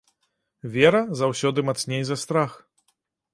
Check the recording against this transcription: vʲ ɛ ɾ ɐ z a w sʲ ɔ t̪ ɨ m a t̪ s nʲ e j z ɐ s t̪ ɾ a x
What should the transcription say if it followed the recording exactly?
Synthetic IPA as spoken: vʲ ɛ ɾ ɐ z a w sʲ ɔ d̪ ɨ m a t̪ s nʲ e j z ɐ s t̪ ɾ a x